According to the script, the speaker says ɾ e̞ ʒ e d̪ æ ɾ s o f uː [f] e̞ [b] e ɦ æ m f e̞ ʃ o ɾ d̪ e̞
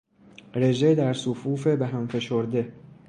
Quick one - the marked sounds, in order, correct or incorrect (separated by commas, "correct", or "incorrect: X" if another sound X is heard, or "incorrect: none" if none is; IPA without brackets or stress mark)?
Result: correct, correct